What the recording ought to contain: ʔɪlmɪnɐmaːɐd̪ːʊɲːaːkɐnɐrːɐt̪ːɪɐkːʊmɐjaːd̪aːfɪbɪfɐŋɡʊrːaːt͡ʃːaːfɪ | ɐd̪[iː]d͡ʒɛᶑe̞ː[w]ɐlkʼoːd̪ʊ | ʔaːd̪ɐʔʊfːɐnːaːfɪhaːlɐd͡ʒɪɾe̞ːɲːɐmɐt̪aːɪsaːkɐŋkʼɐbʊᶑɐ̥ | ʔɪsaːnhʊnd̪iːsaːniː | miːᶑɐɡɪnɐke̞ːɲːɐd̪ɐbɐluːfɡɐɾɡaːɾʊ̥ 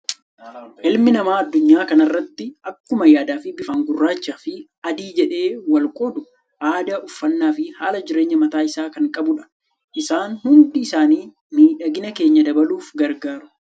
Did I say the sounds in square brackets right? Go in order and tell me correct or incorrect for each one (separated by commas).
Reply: correct, correct